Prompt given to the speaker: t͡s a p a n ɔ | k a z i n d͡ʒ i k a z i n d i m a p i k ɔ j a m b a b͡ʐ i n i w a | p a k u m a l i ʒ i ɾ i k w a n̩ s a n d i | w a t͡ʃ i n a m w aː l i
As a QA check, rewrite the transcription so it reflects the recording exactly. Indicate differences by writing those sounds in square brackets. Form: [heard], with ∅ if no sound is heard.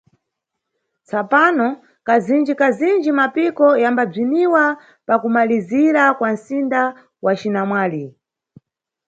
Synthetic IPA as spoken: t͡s a p a n ɔ | k a z i n d͡ʒ i k a z i n [d͡ʒ] i m a p i k ɔ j a m b a b͡ʐ i n i w a | p a k u m a l i [z] i ɾ [a] k w a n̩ s [i] n d [a] | w a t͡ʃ i n a m w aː l i